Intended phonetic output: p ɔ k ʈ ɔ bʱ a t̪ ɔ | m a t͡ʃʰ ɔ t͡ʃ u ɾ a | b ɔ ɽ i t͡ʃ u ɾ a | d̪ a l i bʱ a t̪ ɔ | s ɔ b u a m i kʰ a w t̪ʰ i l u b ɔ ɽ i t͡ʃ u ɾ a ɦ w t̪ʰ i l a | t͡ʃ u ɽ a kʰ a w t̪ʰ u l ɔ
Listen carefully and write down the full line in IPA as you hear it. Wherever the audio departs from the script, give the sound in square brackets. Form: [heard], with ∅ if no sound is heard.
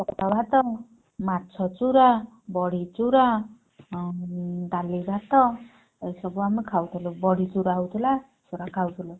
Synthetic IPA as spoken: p ɔ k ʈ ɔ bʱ a t̪ ɔ | m a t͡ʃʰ ɔ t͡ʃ u ɾ a | b ɔ ɽ i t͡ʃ u ɾ a | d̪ a l i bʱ a t̪ ɔ | s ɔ b u a m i kʰ a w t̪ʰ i l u b ɔ ɽ i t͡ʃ u ɾ a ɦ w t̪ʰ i l a | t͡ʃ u [ɾ] a kʰ a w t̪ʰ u l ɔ